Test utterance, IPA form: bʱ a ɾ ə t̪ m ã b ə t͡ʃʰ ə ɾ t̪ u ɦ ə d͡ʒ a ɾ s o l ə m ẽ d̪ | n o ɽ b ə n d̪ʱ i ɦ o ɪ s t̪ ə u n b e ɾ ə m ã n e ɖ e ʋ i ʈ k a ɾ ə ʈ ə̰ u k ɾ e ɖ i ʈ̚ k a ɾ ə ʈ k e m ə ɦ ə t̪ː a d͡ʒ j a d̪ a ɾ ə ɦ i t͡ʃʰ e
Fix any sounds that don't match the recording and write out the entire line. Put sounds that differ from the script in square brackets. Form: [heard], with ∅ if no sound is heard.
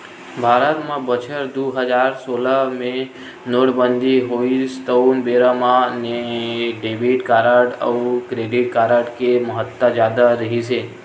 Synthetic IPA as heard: bʱ a ɾ ə t̪ m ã b ə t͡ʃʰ ə ɾ [d̪] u ɦ ə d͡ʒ a ɾ s o l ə m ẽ [∅] | n o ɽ b ə n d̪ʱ i ɦ o [i] s t̪ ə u n b e ɾ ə m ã n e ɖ e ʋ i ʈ k a ɾ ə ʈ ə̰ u k ɾ e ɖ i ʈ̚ k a ɾ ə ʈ k e m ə ɦ ə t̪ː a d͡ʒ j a d̪ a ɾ ə ɦ i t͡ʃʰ e

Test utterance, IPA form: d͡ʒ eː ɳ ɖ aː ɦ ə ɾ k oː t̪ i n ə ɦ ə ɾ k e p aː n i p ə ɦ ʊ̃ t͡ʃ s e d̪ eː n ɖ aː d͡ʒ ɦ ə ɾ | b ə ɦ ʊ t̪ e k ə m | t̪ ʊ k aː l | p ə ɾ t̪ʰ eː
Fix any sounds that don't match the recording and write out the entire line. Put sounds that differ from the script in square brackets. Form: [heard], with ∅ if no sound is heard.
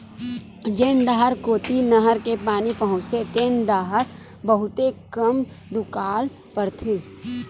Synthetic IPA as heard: d͡ʒ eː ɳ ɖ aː ɦ ə ɾ k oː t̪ i n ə ɦ ə ɾ k e p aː n i p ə ɦ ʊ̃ t͡ʃ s e [t̪] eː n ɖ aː [∅] ɦ ə ɾ | b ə ɦ ʊ t̪ e k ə m | [d̪] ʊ k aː l | p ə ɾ t̪ʰ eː

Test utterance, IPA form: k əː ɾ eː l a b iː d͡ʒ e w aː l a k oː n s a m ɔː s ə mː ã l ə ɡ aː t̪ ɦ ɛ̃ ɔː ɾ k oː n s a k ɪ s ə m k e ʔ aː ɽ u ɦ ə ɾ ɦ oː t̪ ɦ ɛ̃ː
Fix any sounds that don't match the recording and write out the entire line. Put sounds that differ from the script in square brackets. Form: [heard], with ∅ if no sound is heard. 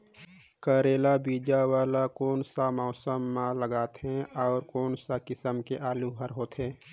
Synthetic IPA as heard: k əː ɾ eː l a b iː d͡ʒ [a] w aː l a k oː n s a m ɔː s ə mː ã l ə ɡ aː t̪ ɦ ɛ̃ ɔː ɾ k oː n s a k ɪ s ə m k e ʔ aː [l] u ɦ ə ɾ ɦ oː t̪ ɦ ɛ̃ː

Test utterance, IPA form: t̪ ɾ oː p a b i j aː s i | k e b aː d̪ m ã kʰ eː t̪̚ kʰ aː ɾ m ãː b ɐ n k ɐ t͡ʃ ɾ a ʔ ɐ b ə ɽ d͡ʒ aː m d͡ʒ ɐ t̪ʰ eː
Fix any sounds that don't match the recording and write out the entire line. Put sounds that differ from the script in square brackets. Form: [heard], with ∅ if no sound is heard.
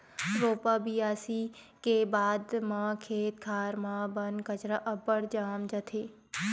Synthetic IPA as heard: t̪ ɾ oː p a b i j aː s i | k e b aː d̪ m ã kʰ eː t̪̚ kʰ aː ɾ m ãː b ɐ n k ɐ t͡ʃ ɾ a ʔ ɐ b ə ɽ d͡ʒ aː m d͡ʒ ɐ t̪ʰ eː

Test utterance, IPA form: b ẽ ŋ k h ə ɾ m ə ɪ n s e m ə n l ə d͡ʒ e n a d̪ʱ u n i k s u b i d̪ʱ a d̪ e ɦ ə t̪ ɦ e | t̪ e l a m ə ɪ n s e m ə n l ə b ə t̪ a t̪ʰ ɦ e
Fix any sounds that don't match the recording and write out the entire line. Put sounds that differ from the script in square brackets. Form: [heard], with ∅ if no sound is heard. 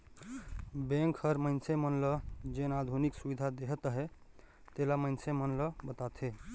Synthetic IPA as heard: b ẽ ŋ k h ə ɾ m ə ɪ n s e m ə n l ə d͡ʒ e n a d̪ʱ u n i k s u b i d̪ʱ a d̪ e ɦ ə t̪ ɦ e | t̪ e l a m ə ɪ n s e m ə n l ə b ə t̪ a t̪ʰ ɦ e

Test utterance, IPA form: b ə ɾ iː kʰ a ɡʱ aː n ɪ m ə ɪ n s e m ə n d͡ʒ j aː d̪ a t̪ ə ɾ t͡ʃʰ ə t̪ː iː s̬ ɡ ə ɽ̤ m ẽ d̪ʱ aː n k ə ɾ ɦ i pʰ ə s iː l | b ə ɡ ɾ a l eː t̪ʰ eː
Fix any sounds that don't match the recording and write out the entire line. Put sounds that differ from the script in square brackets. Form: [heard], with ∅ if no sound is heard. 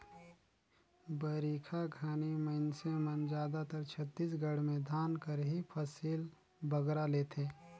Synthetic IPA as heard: b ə ɾ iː kʰ a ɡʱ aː n [i] m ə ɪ n s e m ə n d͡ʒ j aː d̪ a t̪ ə ɾ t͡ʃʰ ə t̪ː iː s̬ ɡ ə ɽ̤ m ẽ d̪ʱ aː n k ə ɾ ɦ i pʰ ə s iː l | b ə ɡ ɾ a l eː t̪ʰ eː

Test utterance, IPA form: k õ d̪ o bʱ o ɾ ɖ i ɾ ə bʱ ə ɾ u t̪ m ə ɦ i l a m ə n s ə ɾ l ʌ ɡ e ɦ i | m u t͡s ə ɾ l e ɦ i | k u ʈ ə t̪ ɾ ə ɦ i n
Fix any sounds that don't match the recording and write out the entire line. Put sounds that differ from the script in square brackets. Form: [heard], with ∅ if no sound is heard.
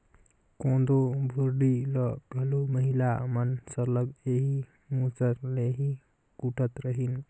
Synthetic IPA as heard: k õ d̪ o bʱ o ɾ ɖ i [l] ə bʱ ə [l] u [∅] m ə ɦ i l a m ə n s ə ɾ l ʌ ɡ e ɦ i | m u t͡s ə ɾ l e ɦ i | k u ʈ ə t̪ ɾ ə ɦ i n

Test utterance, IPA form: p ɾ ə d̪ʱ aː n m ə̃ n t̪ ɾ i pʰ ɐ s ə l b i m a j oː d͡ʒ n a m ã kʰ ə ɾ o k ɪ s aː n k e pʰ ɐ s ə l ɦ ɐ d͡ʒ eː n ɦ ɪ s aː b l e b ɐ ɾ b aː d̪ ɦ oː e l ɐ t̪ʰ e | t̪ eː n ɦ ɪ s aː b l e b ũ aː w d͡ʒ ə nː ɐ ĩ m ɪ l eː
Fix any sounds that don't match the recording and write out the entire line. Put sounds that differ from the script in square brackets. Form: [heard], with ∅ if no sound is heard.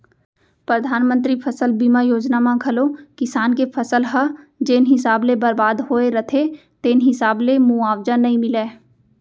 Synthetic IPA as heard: p ɾ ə d̪ʱ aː n m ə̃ n t̪ ɾ i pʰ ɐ s ə l b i m a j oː d͡ʒ n a m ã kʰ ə [l] o k ɪ s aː n k e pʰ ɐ s ə l ɦ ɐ d͡ʒ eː n ɦ ɪ s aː b l e b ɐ ɾ b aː d̪ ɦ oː e [ɾ] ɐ t̪ʰ e | t̪ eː n ɦ ɪ s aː b l e [m] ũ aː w d͡ʒ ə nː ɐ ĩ m ɪ l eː

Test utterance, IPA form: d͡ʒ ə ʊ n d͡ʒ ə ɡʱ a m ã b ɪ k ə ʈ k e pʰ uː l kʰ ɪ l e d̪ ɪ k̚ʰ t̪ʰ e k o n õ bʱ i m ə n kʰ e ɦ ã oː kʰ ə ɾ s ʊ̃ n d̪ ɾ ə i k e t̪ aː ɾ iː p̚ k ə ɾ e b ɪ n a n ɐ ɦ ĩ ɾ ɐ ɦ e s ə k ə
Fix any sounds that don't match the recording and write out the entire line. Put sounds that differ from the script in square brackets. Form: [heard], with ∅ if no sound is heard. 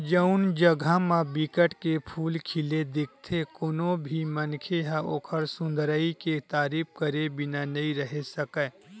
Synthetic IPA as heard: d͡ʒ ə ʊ n d͡ʒ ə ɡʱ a m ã b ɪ k ə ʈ k e pʰ uː l kʰ ɪ l e d̪ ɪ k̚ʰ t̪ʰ e k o n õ bʱ i m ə n kʰ e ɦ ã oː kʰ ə ɾ s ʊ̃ n d̪ ɾ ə i k e t̪ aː ɾ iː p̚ k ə ɾ e b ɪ n a n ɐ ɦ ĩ ɾ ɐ ɦ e s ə k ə

